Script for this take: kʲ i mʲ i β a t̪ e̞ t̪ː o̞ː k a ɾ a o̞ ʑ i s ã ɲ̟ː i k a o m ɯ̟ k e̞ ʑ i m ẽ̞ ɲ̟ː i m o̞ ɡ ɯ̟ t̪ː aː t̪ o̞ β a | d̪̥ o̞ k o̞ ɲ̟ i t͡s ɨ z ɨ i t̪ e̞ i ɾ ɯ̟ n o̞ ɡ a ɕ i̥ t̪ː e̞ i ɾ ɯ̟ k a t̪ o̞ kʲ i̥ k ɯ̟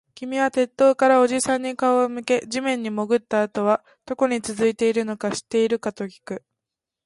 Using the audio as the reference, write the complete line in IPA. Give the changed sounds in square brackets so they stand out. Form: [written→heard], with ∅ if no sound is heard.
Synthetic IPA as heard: kʲ i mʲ i β a t̪ e̞ t̪ː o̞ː k a ɾ a o̞ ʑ i s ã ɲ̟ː i k a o m ɯ̟ k e̞ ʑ i m ẽ̞ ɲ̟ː i m o̞ ɡ ɯ̟ t̪ː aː t̪ o̞ β a | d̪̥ o̞ k o̞ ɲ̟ i t͡s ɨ z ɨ i t̪ e̞ i ɾ ɯ̟ n o̞ [ɡ→k] a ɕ i̥ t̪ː e̞ i ɾ ɯ̟ k a t̪ o̞ kʲ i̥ k ɯ̟